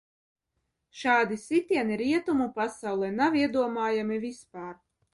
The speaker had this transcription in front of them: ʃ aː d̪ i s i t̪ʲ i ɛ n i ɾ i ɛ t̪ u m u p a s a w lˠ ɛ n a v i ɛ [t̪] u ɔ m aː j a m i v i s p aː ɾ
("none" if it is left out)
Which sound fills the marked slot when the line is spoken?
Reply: d̪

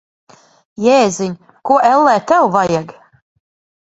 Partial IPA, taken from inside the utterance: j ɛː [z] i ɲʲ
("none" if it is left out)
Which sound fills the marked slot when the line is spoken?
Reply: z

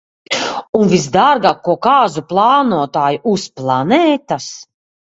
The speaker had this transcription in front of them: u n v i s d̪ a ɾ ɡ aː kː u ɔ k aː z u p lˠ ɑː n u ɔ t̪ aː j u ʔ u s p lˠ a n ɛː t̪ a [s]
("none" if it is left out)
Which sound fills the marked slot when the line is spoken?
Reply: s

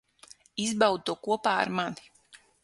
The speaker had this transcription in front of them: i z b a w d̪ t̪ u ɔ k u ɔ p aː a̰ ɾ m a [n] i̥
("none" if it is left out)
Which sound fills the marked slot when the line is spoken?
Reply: n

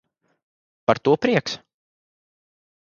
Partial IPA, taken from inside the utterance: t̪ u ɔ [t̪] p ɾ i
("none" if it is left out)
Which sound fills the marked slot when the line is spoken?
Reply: none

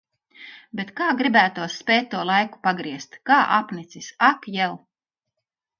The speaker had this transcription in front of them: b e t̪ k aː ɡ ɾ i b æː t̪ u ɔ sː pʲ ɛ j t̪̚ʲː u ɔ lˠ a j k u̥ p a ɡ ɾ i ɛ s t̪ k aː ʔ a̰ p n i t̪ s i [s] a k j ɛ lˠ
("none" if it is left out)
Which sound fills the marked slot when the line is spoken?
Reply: s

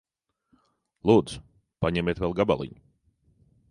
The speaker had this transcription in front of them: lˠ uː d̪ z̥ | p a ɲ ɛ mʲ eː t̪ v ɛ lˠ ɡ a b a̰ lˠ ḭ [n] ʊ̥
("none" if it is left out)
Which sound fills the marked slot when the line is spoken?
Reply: ɲ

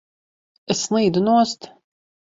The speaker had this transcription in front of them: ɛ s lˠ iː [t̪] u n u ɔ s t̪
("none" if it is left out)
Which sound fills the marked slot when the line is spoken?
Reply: d̪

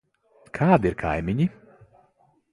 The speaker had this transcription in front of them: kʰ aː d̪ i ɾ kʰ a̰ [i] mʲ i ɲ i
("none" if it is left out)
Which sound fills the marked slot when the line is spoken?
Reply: j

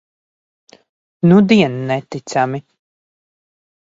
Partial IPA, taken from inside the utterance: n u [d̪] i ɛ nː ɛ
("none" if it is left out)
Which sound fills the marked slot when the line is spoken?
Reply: d̪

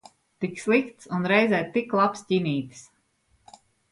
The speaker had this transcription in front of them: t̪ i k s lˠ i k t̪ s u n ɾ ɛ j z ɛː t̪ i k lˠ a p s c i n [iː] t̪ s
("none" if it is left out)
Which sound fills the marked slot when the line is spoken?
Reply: iː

